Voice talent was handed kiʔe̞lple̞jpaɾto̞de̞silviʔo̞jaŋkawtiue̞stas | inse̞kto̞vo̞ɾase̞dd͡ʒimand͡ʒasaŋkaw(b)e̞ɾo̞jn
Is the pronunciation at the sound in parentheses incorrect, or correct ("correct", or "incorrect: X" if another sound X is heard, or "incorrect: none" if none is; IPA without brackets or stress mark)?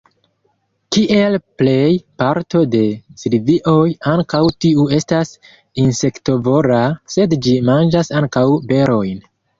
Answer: correct